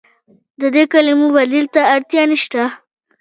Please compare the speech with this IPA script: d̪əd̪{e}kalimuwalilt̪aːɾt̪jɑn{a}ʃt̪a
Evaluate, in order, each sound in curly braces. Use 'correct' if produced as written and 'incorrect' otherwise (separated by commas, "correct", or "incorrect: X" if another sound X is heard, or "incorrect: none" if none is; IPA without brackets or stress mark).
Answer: correct, incorrect: i